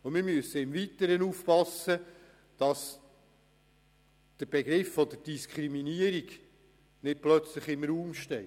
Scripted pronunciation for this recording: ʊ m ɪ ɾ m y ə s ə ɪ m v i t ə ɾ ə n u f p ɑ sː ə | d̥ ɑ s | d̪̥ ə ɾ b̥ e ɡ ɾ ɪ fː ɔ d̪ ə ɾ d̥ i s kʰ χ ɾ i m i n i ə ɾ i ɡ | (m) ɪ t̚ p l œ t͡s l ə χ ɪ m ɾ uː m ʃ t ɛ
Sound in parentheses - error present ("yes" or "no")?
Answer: yes